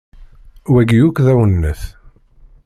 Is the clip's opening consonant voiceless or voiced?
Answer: voiced